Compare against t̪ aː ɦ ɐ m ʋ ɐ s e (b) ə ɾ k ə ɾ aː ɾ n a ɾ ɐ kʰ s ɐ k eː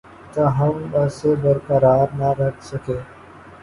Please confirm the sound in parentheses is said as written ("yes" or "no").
yes